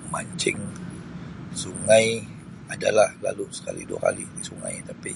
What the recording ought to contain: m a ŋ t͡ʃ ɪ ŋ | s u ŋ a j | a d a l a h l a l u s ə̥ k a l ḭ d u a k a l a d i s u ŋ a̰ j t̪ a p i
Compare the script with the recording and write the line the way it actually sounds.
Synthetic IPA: m a ɲ t͡ʃ ɪ ŋ | s u ŋ a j | a d a l a h l a l u s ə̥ k a l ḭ d u a k a l i d i s u ŋ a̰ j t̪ a p i

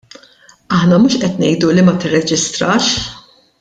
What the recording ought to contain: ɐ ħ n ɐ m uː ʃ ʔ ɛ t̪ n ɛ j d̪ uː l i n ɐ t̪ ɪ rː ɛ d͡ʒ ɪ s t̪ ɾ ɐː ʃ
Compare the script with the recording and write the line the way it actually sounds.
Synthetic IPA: ɐ ħ n ɐ m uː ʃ ʔ ɛ t̪ n ɛ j d̪ u l i m ɐ t̪ ɪ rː ɛ d͡ʒ ɪ s t̪ ɾ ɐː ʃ

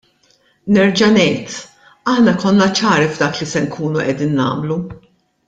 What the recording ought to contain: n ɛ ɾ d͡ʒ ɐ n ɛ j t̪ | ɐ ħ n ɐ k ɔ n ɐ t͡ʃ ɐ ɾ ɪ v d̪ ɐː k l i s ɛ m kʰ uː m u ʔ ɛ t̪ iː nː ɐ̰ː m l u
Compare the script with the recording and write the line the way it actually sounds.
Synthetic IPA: n ɛ ɾ d͡ʒ ɐ n ɛ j t̪ | ɐ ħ n ɐ k ɔ nː ɐ t͡ʃ ɐː ɾ i v d̪ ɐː k l i s ɛ ŋ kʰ uː n u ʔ ɛ d̪ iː nː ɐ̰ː m l u

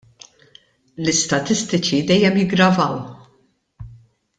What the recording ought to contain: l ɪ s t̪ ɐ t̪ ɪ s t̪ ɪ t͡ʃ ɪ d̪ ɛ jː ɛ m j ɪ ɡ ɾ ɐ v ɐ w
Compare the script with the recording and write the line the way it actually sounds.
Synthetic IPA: l ɪ s t̪ ɐ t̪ ɪ s t̪ ɪ t͡ʃ i d̪ ɛ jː ɛ m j ɪ ɡ ɾ ɐ v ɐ w

